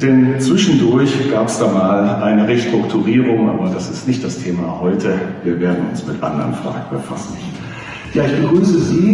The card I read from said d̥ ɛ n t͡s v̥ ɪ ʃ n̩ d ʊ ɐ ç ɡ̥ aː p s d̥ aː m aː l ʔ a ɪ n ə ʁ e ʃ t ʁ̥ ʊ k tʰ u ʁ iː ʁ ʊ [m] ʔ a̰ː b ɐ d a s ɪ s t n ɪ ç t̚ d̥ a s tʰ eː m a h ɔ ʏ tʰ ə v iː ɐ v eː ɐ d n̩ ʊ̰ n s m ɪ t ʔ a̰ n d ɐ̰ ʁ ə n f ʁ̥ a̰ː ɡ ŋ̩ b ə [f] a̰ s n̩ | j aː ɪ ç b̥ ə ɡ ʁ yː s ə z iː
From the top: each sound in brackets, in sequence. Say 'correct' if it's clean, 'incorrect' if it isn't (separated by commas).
incorrect, correct